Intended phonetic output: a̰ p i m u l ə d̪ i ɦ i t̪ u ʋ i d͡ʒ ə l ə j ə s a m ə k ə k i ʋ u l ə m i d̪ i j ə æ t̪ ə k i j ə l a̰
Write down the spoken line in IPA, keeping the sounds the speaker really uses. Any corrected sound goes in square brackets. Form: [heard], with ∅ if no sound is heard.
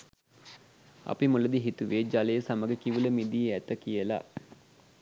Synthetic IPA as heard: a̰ p i m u l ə d̪ i ɦ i t̪ u ʋ [e] d͡ʒ [a] l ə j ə s a m ə [ɡ] ə k i ʋ u l ə m i d̪ i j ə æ t̪ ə k i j ə l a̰